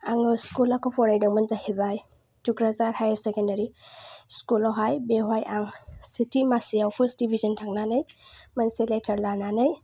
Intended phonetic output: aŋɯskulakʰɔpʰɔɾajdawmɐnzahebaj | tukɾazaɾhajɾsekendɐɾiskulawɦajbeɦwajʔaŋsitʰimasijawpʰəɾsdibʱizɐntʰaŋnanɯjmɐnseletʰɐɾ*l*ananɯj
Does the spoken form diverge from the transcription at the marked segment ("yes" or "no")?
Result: no